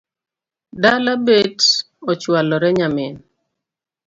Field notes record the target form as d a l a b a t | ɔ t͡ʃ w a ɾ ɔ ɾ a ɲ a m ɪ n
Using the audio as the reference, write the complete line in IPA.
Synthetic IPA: d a l a b e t | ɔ t͡ʃ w a l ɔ ɾ ɛ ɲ a m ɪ n